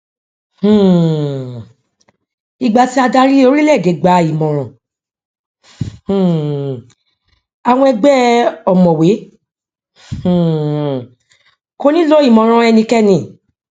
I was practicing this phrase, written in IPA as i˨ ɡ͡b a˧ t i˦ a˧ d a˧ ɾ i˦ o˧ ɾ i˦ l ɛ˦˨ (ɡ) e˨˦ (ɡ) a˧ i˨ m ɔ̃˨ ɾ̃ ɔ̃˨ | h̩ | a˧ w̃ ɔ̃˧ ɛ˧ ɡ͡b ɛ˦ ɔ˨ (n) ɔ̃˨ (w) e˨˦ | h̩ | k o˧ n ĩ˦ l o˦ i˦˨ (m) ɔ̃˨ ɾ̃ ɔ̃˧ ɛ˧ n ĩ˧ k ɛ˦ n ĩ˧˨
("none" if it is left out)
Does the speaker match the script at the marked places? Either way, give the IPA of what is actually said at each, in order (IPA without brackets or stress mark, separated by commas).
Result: ɡ, ɡ͡b, m, w, m